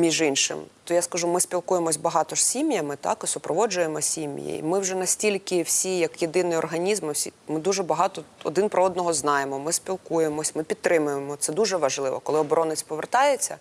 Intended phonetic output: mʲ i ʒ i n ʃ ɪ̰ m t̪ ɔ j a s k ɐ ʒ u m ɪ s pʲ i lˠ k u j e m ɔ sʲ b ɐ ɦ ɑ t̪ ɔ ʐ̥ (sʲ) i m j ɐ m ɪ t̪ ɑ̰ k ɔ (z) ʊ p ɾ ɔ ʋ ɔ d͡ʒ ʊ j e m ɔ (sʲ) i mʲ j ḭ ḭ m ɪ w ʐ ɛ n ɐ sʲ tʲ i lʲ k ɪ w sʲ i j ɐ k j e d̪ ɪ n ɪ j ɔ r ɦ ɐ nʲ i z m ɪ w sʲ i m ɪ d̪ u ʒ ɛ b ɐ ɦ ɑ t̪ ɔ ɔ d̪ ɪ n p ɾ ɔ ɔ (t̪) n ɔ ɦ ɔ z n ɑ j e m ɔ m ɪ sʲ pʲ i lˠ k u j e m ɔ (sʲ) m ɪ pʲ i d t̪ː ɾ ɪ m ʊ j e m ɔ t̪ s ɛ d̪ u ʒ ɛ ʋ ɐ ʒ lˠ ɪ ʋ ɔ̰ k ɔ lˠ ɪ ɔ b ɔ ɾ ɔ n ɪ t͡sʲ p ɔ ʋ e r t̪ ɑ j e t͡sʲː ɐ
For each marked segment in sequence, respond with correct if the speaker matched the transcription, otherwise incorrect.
correct, incorrect: s, correct, incorrect: d̪, correct

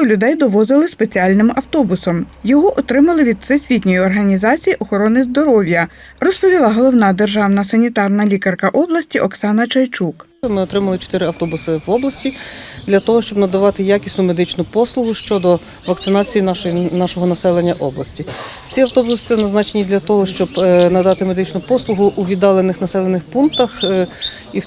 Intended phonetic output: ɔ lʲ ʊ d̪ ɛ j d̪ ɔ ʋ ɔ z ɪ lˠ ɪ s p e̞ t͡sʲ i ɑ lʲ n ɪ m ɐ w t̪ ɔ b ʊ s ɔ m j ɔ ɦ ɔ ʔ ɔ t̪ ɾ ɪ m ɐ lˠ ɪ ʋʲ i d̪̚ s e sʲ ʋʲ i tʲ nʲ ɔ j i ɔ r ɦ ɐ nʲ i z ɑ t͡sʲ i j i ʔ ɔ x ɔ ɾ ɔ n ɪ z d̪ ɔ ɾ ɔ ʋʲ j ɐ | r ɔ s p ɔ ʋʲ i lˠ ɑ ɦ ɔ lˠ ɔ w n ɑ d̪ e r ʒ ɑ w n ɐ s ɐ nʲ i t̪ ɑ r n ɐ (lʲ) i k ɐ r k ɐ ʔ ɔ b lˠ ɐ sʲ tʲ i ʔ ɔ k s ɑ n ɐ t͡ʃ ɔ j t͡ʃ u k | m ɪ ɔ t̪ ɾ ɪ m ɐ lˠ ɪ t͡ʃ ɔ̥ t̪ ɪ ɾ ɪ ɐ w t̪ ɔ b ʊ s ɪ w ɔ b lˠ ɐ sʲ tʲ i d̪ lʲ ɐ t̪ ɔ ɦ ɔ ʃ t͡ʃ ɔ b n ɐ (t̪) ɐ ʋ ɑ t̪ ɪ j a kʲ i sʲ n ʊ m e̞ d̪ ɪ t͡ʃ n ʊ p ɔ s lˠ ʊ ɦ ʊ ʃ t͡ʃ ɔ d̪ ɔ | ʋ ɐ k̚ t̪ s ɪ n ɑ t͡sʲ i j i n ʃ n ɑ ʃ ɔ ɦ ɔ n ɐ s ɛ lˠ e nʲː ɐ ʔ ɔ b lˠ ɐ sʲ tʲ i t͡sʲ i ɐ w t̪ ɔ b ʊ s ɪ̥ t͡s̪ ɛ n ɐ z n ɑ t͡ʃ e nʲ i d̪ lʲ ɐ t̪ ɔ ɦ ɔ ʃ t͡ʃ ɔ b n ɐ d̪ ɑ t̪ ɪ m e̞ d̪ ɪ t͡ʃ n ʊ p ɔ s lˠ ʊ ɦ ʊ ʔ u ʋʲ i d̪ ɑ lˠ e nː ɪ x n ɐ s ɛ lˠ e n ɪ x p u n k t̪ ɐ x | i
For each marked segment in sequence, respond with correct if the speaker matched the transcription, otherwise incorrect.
correct, incorrect: d̪

